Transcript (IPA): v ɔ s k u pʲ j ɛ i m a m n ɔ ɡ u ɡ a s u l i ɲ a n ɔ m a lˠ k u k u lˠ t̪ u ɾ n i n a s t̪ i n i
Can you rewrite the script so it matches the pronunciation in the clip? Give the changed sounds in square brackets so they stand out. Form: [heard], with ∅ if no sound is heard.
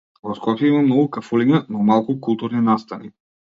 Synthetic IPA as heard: v ɔ s k [ɔ] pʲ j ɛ i m a m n ɔ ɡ u [k] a [f] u l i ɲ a n ɔ m a lˠ k u k u lˠ t̪ u ɾ n i n a s t̪ [a] n i